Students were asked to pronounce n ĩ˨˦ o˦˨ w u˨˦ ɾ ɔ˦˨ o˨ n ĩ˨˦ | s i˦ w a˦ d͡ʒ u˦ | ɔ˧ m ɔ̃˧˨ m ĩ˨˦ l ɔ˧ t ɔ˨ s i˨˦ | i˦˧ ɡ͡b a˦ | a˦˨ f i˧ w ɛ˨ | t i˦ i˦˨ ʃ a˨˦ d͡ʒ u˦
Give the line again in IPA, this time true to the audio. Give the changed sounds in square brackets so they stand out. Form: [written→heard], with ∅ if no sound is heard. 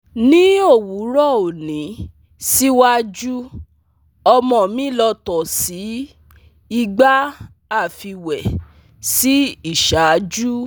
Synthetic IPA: n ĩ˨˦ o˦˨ w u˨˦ ɾ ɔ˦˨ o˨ n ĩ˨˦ | s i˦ w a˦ d͡ʒ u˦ | ɔ˧ m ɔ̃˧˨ m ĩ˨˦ l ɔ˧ t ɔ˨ s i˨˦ | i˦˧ ɡ͡b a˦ | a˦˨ f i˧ w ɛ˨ | [t→s] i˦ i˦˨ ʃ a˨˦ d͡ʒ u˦